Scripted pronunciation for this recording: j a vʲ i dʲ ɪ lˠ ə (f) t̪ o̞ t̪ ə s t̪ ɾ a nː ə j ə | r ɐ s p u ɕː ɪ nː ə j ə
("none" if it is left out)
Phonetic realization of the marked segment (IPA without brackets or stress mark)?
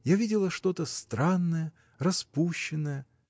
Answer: ʂ